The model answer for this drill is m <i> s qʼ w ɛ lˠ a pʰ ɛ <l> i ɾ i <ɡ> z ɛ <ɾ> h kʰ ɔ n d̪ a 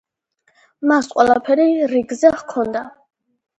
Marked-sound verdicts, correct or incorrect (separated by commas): incorrect, incorrect, correct, incorrect